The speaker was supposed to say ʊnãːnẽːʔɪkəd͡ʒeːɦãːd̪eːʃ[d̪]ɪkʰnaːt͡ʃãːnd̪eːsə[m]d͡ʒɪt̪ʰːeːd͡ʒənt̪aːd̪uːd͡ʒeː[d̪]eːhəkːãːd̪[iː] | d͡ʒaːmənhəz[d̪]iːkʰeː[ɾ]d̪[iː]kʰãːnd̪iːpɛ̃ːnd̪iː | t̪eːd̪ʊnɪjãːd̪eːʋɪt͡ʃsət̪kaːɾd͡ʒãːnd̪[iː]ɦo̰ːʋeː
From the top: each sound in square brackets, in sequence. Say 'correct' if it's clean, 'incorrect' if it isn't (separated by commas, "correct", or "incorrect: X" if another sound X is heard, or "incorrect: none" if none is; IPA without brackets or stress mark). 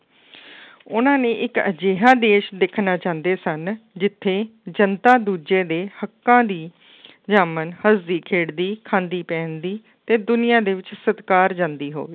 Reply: correct, incorrect: n, correct, correct, correct, incorrect: ɽ, correct, correct